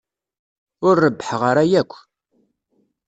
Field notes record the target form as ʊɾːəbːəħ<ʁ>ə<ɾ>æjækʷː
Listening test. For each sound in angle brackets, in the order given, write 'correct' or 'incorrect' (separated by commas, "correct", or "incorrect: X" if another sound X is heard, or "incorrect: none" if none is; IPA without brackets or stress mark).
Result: correct, correct